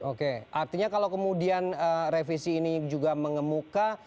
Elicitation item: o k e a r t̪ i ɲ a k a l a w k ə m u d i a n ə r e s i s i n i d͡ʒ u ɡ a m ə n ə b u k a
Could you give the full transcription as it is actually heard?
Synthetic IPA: o k e a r t̪ i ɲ a k a l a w k ə m u d i a n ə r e f i s iː n i d͡ʒ u ɡ a m ə ŋ ə m u k a